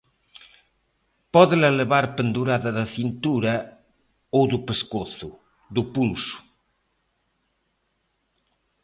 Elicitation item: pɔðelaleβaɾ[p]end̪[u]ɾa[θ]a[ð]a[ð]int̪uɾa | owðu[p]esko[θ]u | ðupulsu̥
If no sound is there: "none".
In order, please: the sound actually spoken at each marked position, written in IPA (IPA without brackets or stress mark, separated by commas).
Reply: p, u, ð, ð, θ, p, θ